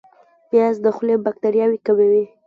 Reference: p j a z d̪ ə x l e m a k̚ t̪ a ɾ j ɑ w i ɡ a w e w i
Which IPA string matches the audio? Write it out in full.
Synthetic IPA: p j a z d̪ ə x l e b a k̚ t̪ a ɾ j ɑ w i k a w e w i